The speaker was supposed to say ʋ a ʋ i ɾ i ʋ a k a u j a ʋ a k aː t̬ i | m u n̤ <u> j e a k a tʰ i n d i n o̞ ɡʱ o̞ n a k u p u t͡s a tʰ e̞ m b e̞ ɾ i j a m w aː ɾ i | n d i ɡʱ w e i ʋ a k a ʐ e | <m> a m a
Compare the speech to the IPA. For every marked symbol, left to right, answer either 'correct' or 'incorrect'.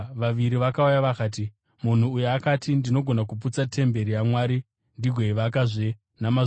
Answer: incorrect: uː, incorrect: n

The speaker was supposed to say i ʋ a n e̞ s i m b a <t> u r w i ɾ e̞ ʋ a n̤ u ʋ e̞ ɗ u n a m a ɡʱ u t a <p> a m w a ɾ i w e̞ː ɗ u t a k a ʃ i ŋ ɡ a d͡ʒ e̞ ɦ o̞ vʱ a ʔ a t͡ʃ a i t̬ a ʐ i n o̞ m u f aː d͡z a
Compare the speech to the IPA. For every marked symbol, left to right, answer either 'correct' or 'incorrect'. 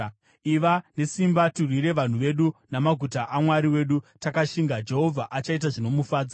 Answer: correct, incorrect: ʔ

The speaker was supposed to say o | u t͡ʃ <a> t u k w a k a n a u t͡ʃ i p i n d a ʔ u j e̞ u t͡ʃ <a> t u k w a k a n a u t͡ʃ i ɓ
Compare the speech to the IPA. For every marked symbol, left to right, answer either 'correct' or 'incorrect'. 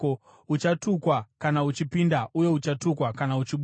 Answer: correct, correct

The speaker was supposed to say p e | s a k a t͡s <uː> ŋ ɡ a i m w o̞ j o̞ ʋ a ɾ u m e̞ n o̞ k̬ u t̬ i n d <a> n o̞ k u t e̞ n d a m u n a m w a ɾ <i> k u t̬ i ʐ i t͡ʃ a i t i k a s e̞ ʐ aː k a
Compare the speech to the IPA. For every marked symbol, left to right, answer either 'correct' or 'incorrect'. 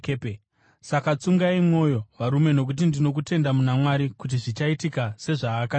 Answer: incorrect: u, incorrect: i, correct

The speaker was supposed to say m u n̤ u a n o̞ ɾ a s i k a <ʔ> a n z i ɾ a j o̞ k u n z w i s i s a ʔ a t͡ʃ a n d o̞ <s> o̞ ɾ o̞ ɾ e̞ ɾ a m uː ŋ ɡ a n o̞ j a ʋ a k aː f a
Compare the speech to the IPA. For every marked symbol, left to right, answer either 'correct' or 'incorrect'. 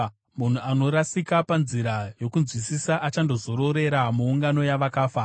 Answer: incorrect: p, incorrect: z

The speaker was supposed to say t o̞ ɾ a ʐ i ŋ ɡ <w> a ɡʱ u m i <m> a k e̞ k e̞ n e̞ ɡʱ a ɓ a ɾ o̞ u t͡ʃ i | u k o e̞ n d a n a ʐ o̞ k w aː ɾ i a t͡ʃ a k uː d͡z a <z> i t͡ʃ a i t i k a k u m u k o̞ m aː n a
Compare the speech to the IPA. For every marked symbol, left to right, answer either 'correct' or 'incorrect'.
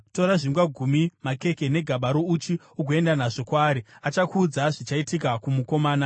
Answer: correct, correct, incorrect: ʐ

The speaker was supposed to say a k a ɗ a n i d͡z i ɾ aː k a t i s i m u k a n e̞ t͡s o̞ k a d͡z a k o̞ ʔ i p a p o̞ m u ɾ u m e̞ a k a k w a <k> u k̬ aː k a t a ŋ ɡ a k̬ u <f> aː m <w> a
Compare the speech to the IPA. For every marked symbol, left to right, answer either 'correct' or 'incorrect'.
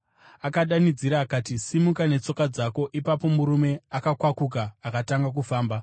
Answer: correct, correct, incorrect: b

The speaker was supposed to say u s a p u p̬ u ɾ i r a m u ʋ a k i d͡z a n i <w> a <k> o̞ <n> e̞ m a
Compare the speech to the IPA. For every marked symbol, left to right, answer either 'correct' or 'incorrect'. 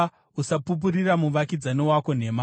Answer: correct, correct, correct

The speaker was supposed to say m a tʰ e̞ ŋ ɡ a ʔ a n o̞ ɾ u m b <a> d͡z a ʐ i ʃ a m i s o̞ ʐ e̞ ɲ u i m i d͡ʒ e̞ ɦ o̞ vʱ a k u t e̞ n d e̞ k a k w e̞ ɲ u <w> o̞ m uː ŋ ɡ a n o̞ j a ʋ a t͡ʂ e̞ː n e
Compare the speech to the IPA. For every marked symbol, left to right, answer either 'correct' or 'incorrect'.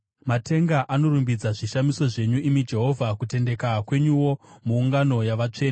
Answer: incorrect: i, correct

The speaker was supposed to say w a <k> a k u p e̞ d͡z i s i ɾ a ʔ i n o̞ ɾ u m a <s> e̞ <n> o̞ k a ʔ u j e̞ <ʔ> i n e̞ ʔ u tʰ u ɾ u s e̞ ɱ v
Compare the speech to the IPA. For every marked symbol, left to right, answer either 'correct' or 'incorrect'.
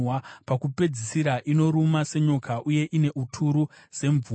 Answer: incorrect: p, correct, incorrect: ɲ, correct

